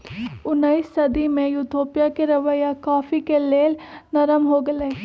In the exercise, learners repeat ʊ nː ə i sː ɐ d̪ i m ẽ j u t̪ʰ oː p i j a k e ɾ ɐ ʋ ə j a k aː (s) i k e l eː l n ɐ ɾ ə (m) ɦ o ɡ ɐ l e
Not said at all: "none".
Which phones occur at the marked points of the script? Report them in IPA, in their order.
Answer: f, m

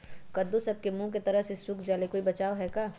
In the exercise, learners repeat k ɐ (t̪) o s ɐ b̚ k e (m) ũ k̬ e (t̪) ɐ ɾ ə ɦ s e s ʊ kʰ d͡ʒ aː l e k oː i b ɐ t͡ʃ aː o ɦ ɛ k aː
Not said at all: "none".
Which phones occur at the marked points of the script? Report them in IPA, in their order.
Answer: d̪, m, t̪

